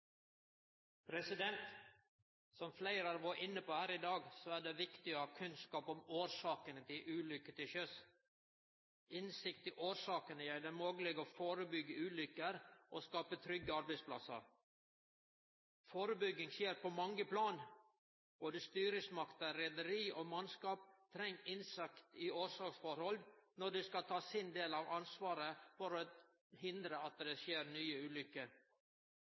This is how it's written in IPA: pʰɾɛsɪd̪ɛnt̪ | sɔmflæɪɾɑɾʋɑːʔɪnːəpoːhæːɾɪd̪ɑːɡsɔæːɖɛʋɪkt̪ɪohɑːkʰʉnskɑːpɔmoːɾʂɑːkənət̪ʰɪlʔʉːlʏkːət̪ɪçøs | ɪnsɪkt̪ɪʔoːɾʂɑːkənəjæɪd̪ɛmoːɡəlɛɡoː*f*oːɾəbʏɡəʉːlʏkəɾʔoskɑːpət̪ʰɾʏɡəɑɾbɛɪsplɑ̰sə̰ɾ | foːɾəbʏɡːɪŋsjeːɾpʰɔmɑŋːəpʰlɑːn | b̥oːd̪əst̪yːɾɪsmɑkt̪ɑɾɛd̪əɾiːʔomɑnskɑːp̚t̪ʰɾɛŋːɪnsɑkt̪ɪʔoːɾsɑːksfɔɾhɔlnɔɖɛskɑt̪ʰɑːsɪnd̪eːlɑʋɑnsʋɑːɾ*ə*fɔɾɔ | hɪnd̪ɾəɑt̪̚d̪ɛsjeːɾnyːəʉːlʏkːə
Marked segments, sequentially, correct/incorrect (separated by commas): correct, correct